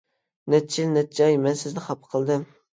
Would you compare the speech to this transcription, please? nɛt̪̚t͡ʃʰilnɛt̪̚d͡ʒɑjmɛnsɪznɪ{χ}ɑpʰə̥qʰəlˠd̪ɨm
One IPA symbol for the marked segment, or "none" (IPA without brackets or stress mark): χ